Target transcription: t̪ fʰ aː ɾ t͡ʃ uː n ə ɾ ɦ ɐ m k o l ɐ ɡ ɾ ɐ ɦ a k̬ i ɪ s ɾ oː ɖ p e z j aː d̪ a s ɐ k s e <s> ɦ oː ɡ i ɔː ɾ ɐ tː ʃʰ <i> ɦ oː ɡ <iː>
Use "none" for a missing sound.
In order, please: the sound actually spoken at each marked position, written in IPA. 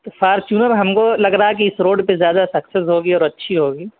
s, i, iː

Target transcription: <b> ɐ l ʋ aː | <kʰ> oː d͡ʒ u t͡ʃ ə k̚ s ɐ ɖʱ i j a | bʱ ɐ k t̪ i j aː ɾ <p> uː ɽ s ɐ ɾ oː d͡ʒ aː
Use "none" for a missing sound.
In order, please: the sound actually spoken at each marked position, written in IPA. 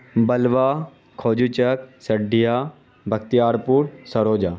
b, kʰ, p

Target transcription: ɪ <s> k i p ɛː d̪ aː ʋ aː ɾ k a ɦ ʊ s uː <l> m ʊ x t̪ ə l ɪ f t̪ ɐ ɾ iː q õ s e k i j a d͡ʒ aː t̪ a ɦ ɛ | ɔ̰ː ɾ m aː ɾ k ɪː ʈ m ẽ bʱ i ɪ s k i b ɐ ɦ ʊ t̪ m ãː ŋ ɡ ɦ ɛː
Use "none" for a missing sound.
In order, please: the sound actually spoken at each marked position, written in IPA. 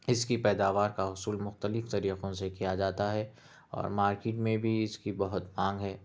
s, l

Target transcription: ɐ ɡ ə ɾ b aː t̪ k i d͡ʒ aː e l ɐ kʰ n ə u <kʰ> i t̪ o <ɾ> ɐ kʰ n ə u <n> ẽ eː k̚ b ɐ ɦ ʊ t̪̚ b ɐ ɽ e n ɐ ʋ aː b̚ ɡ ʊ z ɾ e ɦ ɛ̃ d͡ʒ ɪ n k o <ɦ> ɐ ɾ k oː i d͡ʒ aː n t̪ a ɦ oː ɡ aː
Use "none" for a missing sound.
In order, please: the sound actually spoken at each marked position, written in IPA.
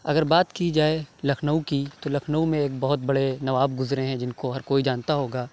k, l, m, ɦ

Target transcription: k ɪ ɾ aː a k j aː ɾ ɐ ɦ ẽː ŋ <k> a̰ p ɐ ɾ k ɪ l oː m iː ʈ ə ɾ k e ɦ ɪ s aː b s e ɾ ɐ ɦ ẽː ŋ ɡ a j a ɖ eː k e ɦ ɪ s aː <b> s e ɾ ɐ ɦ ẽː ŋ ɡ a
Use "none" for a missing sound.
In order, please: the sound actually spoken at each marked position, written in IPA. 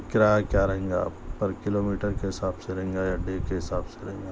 ɡ, b

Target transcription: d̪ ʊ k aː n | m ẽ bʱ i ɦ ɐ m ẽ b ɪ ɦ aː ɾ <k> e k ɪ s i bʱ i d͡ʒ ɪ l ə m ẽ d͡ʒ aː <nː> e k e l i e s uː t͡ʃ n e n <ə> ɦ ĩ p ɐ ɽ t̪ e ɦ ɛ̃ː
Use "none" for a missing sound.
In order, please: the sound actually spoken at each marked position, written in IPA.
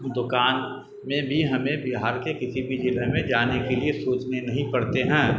k, n, ɐ

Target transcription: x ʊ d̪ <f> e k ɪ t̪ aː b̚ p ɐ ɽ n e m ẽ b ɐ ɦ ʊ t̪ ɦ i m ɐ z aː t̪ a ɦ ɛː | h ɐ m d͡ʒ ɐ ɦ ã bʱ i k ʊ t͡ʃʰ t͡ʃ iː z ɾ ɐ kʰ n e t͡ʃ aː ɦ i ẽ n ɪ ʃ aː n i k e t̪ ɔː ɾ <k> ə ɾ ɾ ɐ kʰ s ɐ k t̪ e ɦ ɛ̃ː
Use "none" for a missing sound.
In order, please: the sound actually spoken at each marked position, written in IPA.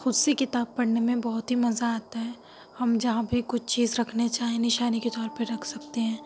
s, p

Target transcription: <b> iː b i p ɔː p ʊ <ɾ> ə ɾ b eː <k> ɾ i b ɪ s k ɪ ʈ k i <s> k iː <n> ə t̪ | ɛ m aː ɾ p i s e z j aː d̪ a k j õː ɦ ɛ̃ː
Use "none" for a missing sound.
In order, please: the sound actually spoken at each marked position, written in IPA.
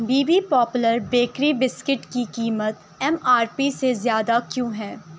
b, l, k, none, m

